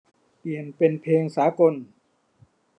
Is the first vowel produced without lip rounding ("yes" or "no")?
yes